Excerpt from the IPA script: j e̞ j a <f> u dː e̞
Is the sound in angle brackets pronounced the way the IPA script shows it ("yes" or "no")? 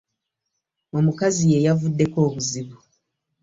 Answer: no